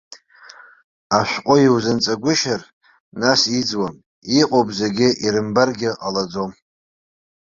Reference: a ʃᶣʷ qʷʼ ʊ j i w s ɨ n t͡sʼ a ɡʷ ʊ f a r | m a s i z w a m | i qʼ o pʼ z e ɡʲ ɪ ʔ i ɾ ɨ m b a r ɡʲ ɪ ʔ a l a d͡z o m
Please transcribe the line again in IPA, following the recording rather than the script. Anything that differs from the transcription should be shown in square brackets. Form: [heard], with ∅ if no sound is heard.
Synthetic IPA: a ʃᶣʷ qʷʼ ʊ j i w [z] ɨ n t͡sʼ a ɡʷ ʊ [ʃ] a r | [n] a s i [d͡z] w a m | i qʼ o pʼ z e ɡʲ ɪ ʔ i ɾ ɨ m b a r ɡʲ ɪ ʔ a l a d͡z o m